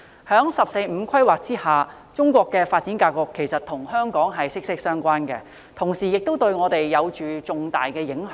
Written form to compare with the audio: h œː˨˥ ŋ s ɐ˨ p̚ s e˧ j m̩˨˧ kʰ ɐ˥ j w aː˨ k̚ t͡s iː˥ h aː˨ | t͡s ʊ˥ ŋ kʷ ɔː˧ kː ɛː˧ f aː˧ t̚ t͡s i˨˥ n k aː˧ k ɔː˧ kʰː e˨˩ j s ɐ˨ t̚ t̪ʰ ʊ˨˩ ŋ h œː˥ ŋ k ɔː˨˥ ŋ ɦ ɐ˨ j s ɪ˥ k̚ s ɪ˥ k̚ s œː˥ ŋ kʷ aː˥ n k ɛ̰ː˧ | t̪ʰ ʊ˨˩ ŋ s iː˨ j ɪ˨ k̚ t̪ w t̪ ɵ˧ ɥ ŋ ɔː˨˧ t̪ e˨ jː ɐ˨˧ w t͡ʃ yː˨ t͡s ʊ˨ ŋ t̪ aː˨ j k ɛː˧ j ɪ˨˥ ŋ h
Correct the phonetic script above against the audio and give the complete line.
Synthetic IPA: h œː˨˥ ŋ s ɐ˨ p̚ s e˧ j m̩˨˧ kʰ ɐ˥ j w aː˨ k̚ t͡s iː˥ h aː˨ | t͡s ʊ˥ ŋ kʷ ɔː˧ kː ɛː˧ f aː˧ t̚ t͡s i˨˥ n k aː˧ k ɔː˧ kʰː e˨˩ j s ɐ˨ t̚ t̪ʰ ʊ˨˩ ŋ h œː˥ ŋ k ɔː˨˥ ŋ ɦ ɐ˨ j s ɪ˥ k̚ s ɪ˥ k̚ s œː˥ ŋ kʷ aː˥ n k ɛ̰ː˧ | t̪ʰ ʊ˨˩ ŋ s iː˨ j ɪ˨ k̚ t̪ w t̪ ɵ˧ ɥ ŋ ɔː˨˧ t̪ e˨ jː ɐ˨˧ w t͡ʃ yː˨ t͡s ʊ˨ ŋ t̪ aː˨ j k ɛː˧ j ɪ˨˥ ŋ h

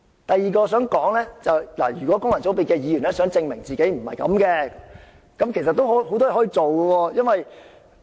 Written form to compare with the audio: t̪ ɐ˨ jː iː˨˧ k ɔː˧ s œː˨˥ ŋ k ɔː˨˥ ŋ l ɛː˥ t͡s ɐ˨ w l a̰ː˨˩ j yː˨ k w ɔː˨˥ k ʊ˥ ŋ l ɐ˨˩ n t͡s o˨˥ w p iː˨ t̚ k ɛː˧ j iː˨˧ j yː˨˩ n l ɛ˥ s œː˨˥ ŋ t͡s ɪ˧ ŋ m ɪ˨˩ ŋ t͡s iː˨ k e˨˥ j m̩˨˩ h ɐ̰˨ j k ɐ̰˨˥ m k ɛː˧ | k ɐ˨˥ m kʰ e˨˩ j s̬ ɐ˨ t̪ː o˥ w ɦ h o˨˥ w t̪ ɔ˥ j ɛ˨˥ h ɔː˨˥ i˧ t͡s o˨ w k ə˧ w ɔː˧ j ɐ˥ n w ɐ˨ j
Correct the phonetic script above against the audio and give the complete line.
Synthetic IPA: t̪ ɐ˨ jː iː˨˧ k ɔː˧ s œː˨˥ ŋ k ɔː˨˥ ŋ l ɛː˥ t͡s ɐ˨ w l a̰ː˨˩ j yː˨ k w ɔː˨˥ k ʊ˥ ŋ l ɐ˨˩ n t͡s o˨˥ w p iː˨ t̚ k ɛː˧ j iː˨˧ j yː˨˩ n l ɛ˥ s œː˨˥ ŋ t͡s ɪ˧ ŋ m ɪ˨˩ ŋ t͡s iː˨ k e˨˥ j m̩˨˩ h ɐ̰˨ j k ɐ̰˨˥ m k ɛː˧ | k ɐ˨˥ m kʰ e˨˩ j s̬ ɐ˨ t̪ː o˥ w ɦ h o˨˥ w t̪ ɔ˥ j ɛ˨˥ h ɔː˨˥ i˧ t͡s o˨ w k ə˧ w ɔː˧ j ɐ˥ n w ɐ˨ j

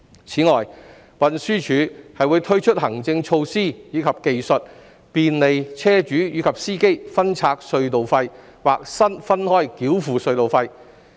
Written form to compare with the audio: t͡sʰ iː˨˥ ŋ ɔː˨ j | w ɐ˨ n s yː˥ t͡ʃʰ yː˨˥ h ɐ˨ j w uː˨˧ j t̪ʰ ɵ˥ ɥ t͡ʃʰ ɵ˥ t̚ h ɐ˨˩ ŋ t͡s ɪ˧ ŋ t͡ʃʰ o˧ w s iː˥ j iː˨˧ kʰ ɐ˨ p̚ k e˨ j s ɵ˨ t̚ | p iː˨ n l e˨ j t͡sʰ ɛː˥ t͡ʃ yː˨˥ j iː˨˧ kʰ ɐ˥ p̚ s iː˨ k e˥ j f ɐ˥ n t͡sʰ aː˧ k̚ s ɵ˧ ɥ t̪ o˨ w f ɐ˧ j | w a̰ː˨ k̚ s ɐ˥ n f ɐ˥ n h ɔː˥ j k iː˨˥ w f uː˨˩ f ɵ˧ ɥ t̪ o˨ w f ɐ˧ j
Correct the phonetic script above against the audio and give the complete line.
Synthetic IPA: t͡sʰ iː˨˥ ŋ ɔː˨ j | w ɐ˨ n s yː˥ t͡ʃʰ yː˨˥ h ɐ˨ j w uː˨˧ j t̪ʰ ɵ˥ ɥ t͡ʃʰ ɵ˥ t̚ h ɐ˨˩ ŋ t͡s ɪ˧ ŋ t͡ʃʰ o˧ w s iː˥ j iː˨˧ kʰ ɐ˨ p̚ k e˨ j s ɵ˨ t̚ | p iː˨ n l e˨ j t͡sʰ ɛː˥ t͡ʃ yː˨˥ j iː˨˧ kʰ ɐ˨ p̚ s iː˥ k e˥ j f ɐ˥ n t͡sʰ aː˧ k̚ s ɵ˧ ɥ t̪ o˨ w f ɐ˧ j | w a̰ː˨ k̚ s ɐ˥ n f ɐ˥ n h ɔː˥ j k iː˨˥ w f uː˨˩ s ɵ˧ ɥ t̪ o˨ w f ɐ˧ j

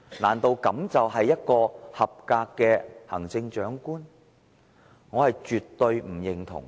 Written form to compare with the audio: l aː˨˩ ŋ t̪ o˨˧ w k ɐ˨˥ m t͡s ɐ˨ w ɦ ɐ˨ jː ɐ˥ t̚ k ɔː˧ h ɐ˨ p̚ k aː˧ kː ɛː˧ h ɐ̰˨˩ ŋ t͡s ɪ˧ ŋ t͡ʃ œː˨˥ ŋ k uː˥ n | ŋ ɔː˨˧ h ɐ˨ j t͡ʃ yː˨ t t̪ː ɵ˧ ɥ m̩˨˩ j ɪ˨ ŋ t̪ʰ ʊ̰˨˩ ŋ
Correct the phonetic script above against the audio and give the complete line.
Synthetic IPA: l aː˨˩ n t̪ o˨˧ w k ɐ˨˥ m t͡s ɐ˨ w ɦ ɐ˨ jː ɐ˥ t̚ k ɔː˧ h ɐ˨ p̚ k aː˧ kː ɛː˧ h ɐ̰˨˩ ŋ t͡s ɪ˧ ŋ t͡ʃ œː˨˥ ŋ k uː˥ n | ŋ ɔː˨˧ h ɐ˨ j t͡ʃ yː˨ t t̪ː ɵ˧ ɥ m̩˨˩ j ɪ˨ ŋ t̪ʰ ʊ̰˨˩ ŋ

